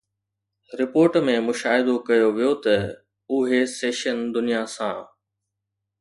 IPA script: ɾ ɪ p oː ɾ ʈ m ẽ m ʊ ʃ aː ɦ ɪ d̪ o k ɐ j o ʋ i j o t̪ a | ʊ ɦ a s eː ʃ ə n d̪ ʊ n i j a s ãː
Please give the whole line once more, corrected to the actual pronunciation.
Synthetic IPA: ɾ ɪ p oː ɾ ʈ m ẽ m ʊ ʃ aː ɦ ɪ d̪ o k ɐ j o ʋ i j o t̪ ɐ | ʊ ɦ e s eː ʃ ə n d̪ ʊ n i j a s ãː